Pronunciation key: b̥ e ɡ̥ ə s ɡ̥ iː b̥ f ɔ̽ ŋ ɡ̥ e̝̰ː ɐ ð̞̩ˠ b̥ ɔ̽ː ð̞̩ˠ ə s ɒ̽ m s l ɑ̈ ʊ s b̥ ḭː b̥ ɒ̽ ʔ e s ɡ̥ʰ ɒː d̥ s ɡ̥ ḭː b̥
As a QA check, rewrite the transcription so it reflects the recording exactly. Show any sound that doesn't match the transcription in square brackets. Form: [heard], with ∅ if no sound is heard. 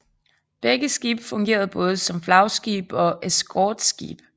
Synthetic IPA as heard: b̥ e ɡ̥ ə s ɡ̥ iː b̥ f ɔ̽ ŋ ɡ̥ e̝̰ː ɐ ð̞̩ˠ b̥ ɔ̽ː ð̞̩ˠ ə s ɒ̽ m [f] l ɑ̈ ʊ s [ɡ̥] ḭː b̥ ɒ̽ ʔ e s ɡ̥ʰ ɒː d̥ s ɡ̥ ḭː b̥